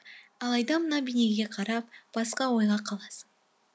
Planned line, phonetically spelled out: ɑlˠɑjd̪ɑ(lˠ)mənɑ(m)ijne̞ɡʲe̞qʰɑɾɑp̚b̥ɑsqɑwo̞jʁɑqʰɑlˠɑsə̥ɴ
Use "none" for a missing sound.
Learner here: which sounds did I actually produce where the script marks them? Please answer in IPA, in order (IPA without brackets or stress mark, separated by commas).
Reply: none, b